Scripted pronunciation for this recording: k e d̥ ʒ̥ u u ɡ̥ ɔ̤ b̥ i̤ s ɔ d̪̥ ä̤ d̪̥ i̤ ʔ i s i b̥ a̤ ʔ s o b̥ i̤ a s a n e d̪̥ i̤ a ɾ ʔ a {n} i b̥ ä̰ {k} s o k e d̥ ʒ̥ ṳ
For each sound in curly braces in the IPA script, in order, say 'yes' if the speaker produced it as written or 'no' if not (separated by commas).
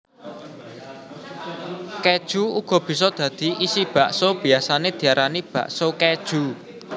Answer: yes, no